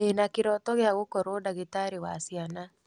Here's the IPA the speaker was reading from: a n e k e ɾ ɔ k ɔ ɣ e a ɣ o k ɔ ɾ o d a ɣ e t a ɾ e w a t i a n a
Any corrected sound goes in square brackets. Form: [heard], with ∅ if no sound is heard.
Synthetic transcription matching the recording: [e] n [a] k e ɾ ɔ [t] ɔ ɣ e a ɣ o k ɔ ɾ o d a ɣ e t a ɾ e w a [s] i a n a